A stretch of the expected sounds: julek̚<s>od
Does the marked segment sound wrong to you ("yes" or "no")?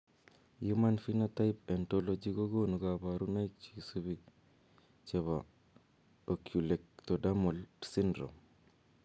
yes